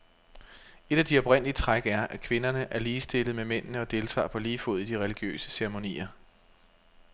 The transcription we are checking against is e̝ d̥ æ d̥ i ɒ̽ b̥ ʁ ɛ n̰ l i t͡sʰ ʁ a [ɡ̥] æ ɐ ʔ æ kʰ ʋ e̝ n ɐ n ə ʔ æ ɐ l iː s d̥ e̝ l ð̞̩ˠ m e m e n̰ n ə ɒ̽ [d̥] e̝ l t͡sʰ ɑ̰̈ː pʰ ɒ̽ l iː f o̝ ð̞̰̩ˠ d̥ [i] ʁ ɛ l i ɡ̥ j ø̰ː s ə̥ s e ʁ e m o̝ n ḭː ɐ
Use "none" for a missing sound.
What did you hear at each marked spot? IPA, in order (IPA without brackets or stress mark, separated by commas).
ɡ̥, d̥, i